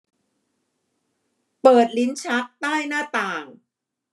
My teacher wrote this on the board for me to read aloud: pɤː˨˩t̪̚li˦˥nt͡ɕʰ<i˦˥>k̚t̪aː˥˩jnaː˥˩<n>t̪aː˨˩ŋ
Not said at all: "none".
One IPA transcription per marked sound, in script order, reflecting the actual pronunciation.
a˦˥, none

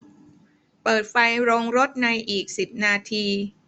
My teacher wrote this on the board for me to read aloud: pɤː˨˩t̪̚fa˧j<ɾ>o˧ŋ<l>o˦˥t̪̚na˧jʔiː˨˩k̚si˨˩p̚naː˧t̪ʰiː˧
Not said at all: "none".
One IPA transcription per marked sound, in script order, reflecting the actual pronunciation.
ɾ, ɾ

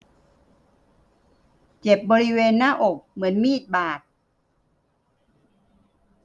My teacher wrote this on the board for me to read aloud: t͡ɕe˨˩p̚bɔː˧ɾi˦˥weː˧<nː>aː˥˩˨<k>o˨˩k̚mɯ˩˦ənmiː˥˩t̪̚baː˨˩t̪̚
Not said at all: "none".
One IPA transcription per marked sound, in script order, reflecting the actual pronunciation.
nː, ʔ

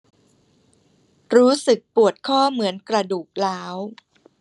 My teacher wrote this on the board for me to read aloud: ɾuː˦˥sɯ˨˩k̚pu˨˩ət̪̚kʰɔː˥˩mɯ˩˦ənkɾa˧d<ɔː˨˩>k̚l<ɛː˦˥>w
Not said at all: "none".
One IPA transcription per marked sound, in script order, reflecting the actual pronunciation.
uː˨˩, aː˦˥

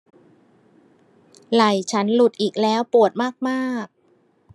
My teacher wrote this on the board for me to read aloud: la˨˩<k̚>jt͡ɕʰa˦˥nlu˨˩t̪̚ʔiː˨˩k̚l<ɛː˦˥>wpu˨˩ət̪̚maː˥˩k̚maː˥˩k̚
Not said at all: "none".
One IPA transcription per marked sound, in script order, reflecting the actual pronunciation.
none, ɛː˦˥

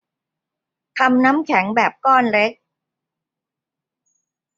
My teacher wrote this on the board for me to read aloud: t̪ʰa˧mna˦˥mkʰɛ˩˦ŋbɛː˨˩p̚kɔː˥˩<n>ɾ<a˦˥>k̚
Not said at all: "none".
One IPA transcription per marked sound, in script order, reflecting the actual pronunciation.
n, e˦˥

